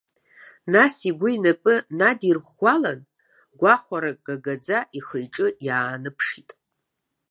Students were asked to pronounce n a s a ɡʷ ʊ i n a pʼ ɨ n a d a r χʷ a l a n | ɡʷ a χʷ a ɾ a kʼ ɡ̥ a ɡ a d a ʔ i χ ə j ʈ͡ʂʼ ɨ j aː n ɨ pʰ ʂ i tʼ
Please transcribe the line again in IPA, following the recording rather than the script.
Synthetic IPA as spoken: n a s i ɡʷ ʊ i n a pʼ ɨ n a d i r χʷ a l a n | ɡʷ a χʷ a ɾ a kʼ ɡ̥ a ɡ a d͡z a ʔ i χ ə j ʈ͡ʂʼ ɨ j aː n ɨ pʰ ʂ i tʼ

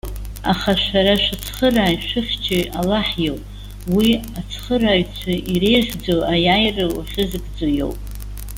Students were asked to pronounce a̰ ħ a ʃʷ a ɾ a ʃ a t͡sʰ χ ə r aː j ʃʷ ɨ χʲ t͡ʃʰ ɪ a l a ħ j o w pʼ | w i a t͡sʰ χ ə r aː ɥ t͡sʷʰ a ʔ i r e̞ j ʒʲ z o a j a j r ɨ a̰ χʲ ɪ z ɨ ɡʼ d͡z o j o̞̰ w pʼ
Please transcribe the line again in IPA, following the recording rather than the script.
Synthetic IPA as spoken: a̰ χ a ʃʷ a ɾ a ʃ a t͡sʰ χ ə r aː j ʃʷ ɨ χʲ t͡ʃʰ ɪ a l a ħ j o w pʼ | w i a t͡sʰ χ ə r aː ɥ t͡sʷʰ a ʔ i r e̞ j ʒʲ d͡z o a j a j r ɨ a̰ χʲ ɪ z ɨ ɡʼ d͡z o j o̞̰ w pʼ

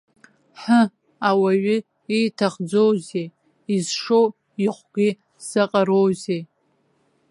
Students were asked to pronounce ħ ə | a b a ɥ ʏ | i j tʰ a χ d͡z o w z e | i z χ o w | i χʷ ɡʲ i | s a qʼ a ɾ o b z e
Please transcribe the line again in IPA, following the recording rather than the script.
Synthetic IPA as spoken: ħ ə | a w a ɥ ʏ | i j tʰ a χ d͡z o w z e | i z ʂ o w | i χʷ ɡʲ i | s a qʼ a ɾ o w z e

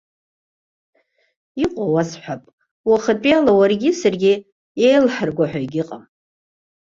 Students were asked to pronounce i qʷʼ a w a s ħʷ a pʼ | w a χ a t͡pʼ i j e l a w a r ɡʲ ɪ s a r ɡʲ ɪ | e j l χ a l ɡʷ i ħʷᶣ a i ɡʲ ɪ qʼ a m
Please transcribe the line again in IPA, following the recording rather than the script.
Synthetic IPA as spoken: i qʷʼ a w a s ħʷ a pʼ | w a χ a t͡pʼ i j a l a w a r ɡʲ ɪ s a r ɡʲ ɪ | e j l ħ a r ɡʷ a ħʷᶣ a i ɡʲ ɪ qʼ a m

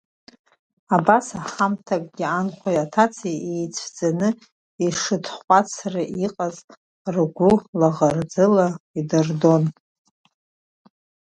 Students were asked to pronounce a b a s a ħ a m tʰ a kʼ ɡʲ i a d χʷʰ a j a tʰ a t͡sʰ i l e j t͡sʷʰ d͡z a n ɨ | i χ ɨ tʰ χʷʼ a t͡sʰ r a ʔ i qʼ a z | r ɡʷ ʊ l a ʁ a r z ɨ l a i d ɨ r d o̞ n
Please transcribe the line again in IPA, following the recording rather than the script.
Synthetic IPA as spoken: a b a s a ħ a m tʰ a kʼ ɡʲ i a n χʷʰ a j a tʰ a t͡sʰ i e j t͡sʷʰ d͡z a n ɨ | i ʂ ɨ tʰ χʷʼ a t͡sʰ r a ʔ i qʼ a z | r ɡʷ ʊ l a ʁ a r d͡z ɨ l a i d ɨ r d o̞ n

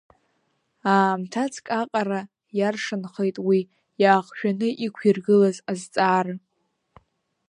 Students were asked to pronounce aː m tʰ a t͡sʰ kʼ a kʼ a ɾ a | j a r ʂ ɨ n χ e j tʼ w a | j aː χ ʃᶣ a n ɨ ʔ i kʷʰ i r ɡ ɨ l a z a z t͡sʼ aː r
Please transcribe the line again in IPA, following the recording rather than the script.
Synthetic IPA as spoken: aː m tʰ a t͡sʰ kʼ a qʼ a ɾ a | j a r ʂ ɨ n χ e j tʼ w i | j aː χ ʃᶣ a n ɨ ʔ i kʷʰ i r ɡ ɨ l a z a z t͡sʼ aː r

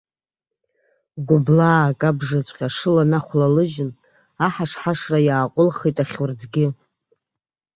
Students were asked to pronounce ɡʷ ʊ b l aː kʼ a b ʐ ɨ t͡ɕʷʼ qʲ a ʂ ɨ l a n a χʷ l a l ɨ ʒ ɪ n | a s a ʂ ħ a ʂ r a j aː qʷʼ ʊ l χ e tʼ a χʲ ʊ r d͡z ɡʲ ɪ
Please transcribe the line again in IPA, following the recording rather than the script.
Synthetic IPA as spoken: ɡʷ ʊ b l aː kʼ a b ʐ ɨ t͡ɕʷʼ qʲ a ʂ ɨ l a n a χʷ l a l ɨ ʒ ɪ n | a ħ a ʂ ħ a ʂ r a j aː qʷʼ ʊ l χ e tʼ a χʲ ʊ r d͡z ɡʲ ɪ

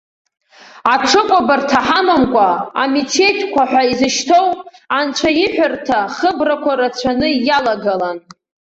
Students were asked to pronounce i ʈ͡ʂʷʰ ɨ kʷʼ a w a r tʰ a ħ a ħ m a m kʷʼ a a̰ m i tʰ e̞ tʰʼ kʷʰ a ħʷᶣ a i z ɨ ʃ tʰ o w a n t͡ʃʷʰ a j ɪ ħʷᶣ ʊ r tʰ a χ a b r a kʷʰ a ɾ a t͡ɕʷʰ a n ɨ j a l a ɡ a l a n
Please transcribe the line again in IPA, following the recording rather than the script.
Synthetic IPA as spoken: a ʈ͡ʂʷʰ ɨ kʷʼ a b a r tʰ a ħ a m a m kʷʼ a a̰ m i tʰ e̞ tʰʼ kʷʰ a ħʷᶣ a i z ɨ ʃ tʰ o w a n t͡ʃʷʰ a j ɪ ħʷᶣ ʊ r tʰ a χ ə b r a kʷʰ a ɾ a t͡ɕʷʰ a n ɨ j a l a ɡ a l a n

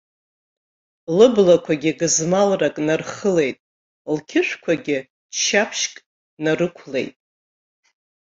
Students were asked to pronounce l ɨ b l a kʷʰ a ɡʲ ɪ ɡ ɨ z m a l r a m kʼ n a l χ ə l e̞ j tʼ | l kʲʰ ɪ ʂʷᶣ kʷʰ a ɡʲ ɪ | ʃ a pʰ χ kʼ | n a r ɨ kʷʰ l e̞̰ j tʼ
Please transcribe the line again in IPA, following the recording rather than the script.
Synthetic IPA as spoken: l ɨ b l a kʷʰ a ɡʲ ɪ ɡ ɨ z m a l r a kʼ n a r χ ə l e̞ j tʼ | l kʲʰ ɪ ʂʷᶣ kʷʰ a ɡʲ ɪ | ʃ a pʰ ʃ kʼ | n a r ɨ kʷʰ l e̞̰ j tʼ

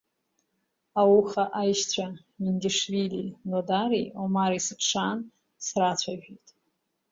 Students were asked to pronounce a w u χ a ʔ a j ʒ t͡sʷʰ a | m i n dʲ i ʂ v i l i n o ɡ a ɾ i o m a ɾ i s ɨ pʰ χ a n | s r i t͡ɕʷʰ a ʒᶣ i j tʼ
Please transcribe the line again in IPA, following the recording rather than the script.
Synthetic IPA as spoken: a w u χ a ʔ a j ʃ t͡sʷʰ a | m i n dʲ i ʂ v i l i n o d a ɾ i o m a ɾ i s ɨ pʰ ʂ a n | s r a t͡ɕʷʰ a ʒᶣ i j tʼ

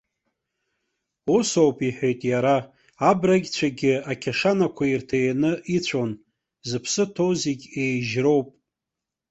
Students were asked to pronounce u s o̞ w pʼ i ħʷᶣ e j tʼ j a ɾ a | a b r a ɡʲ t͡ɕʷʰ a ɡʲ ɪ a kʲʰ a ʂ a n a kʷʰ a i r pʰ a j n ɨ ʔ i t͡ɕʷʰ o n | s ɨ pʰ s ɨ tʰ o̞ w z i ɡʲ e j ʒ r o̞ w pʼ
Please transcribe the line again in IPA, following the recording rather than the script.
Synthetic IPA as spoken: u s o̞ w pʼ i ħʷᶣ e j tʼ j a ɾ a | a b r a ɡʲ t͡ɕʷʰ a ɡʲ ɪ a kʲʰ a ʂ a n a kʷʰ a i r tʰ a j n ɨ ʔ i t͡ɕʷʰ o n | z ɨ pʰ s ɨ tʰ o̞ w z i ɡʲ e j ʒ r o̞ w pʼ

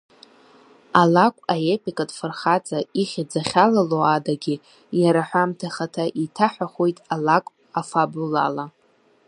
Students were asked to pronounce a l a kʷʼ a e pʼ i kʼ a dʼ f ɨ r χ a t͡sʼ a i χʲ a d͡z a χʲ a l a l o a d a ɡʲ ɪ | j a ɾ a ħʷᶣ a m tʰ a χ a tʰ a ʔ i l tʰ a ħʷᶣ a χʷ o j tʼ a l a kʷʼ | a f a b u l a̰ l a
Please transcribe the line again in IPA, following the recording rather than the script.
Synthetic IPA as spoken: a l a kʷʼ a e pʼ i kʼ a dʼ f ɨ r χ a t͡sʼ a i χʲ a d͡z a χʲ a l a l o a d a ɡʲ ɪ | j a ɾ a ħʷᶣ a m tʰ a χ a tʰ a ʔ i tʰ a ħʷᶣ a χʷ o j tʼ a l a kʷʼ | a f a b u l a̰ l a

